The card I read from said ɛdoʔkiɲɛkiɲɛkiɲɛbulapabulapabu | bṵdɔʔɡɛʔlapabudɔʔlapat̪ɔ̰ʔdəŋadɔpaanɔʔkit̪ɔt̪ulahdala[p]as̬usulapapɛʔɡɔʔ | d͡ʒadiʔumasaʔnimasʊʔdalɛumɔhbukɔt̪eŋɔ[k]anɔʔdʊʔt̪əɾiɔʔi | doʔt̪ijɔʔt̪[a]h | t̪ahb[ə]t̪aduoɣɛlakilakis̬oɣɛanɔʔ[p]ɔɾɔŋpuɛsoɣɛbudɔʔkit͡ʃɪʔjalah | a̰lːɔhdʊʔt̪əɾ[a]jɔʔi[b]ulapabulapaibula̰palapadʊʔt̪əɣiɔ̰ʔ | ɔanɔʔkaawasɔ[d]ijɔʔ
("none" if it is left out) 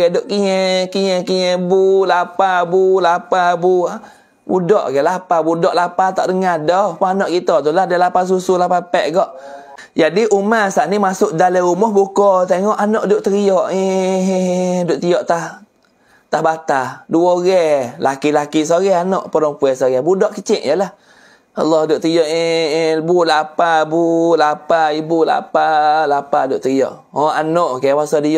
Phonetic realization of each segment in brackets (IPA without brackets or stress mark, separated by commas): p, ʔ, a, a, p, i, b, d